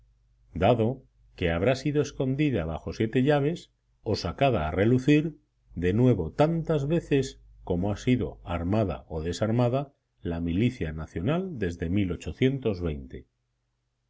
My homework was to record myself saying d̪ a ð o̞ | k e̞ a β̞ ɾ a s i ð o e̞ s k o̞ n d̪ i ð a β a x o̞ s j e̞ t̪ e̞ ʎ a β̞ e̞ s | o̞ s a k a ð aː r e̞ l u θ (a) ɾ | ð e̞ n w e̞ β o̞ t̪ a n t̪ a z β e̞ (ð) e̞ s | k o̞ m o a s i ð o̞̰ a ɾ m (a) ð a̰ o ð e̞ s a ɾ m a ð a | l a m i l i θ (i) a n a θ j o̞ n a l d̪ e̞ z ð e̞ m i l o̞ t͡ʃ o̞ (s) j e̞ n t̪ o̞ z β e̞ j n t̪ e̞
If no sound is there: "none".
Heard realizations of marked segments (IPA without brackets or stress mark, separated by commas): i, θ, a, j, θ